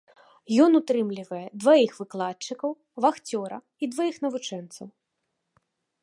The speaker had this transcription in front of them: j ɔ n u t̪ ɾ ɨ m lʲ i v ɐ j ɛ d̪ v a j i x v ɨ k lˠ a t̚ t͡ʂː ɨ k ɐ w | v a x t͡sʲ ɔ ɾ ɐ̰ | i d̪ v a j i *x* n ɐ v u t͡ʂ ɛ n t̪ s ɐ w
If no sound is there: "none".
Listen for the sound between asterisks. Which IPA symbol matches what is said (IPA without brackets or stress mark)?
x